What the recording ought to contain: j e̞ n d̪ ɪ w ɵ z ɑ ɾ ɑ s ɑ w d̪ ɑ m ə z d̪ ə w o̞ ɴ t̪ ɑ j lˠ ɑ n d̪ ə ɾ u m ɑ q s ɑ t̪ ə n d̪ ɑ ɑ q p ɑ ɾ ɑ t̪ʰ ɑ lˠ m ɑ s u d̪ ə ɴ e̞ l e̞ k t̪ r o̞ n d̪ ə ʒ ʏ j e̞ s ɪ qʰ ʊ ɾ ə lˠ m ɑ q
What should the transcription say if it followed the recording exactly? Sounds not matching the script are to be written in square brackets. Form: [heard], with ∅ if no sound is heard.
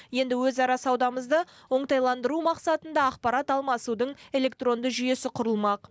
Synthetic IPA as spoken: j e̞ n d̪ ɪ w ɵ z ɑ ɾ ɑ s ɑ w d̪ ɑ m ə z d̪ ə w o̞ ɴ t̪ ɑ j lˠ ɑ n d̪ ə ɾ u m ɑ q s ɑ t̪ ə n d̪ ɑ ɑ q p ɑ ɾ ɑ [t̪] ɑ lˠ m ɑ s u d̪ ə ɴ e̞ l e̞ k t̪ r o̞ n d̪ ə ʒ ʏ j e̞ s ɪ qʰ ʊ ɾ ə lˠ m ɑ q